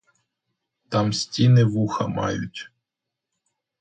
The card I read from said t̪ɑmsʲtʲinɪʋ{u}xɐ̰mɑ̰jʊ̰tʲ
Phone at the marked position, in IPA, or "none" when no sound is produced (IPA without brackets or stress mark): u